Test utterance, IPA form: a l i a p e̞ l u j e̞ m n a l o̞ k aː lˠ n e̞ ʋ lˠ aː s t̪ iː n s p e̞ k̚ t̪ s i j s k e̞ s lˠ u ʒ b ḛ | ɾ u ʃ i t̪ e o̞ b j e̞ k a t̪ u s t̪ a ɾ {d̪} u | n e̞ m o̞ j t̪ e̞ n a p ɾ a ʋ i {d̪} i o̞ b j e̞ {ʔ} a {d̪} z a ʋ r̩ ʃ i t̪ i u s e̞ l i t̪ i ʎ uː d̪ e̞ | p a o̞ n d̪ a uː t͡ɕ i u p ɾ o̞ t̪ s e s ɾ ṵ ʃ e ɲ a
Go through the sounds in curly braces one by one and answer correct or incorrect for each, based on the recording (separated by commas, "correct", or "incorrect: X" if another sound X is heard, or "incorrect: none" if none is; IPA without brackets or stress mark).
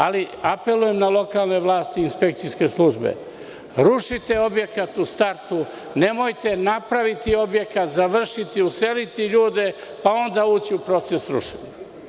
incorrect: t̪, incorrect: t̪, incorrect: k, incorrect: t̪